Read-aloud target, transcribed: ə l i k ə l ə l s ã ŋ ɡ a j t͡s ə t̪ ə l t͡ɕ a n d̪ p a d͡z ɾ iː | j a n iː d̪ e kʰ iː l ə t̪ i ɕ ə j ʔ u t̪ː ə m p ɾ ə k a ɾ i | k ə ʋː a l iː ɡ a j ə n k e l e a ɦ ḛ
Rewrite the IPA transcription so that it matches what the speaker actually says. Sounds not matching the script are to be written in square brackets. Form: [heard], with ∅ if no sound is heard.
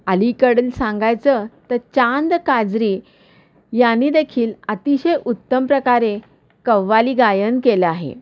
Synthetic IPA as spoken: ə l i k ə [ɽ] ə l s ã ŋ ɡ a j t͡s ə t̪ ə [ɾ] t͡ɕ a n d̪ [k] a d͡z ɾ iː | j a n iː d̪ e kʰ iː l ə t̪ i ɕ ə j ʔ u t̪ː ə m p ɾ ə k a ɾ [e] | k ə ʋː a l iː ɡ a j ə n k e l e a ɦ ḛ

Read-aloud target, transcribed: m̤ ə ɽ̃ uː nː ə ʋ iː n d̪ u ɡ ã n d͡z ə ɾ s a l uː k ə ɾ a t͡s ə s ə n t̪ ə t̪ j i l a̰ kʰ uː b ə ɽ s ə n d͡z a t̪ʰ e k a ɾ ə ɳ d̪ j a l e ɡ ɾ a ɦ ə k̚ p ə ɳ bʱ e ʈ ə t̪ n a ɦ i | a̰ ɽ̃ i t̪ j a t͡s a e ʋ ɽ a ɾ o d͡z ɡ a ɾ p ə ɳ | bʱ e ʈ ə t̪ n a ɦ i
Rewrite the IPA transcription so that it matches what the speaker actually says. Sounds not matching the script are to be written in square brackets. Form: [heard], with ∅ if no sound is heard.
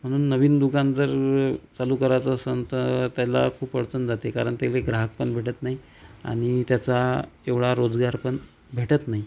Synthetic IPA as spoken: m̤ ə ɽ̃ uː nː ə ʋ iː n d̪ u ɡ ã n d͡z ə ɾ [t͡s] a l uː k ə ɾ a t͡s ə s ə n t̪ ə t̪ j [a] l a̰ kʰ uː [p] ə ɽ [t͡s] ə n d͡z a [t̪] e k a ɾ ə ɳ [t̪] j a l e ɡ ɾ a ɦ ə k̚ p ə ɳ bʱ e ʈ ə t̪ n a ɦ i | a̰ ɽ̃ i t̪ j a t͡s a e ʋ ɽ a ɾ o d͡z ɡ a ɾ p ə ɳ | bʱ e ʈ ə t̪ n a ɦ i

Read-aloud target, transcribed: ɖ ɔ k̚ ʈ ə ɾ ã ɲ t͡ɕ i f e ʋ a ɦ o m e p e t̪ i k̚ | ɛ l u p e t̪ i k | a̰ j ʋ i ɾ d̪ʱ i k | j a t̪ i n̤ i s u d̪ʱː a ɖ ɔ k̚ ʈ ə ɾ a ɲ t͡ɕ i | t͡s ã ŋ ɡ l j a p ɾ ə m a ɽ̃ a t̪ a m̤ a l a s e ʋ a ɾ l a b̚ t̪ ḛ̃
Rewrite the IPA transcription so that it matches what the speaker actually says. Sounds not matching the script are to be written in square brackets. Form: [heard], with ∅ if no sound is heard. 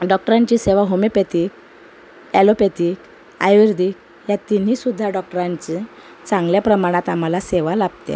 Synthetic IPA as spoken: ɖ ɔ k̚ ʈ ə ɾ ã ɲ t͡ɕ i [s] e ʋ a ɦ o m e p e t̪ i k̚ | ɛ l [o] p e t̪ i k | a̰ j ʋ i ɾ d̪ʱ i k | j a t̪ i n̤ i s u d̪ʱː a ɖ ɔ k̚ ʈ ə ɾ a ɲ t͡ɕ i | t͡s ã ŋ ɡ l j a p ɾ ə m a ɽ̃ a t̪ a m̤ a l a s e ʋ a [∅] l a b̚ t̪ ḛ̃

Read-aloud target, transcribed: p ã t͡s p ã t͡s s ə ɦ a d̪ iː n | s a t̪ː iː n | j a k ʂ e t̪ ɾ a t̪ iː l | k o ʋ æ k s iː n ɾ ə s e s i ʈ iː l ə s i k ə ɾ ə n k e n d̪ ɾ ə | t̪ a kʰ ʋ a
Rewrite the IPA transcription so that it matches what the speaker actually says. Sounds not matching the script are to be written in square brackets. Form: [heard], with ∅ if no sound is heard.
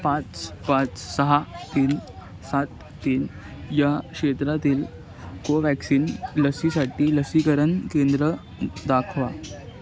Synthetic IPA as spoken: p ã t͡s p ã t͡s s ə ɦ a [t̪] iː n | s a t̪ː iː n | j a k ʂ e t̪ ɾ a t̪ iː l | k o ʋ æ k s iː n [l] ə s [i] s [a] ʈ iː l ə s i k ə ɾ ə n k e n d̪ ɾ ə | [d̪] a kʰ ʋ a

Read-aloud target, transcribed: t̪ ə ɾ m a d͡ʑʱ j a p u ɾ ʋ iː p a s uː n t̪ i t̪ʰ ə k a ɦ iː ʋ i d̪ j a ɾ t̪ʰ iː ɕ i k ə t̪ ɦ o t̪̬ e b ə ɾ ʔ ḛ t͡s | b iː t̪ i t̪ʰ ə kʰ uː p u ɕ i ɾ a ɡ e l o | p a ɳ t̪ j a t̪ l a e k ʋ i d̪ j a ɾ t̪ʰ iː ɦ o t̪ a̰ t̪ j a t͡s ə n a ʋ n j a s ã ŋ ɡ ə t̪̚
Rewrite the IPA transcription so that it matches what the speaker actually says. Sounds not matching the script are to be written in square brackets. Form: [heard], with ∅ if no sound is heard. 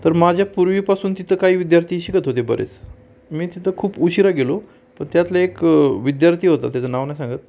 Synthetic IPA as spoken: t̪ ə ɾ m a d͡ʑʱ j a p u ɾ ʋ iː p a s uː n t̪ i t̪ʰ ə k a ɦ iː ʋ i d̪ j a ɾ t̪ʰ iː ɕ i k ə t̪ ɦ o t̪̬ e b ə ɾ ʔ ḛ t͡s | [m] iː t̪ i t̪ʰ ə kʰ uː p u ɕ i ɾ a ɡ e l o | p [ə] ɳ t̪ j a t̪ l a e k ʋ i d̪ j a ɾ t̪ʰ iː ɦ o t̪ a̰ t̪ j a t͡s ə n a ʋ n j a s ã ŋ ɡ ə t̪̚

